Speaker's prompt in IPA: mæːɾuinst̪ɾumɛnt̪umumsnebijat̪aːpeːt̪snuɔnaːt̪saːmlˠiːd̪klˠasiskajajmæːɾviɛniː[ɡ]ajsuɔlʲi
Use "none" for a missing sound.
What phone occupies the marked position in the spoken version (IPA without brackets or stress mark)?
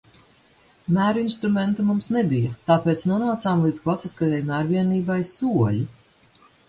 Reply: b